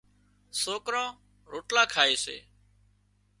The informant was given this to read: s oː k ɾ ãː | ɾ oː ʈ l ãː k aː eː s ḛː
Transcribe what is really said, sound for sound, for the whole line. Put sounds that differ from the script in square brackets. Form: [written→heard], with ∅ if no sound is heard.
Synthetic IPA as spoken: s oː k ɾ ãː | ɾ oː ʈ l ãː [k→kʰ] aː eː s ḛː